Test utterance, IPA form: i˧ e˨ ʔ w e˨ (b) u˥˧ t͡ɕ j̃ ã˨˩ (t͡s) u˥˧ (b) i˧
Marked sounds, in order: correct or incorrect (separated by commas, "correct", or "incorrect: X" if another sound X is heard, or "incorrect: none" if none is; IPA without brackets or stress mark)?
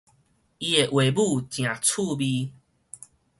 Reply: correct, incorrect: t͡sʰ, correct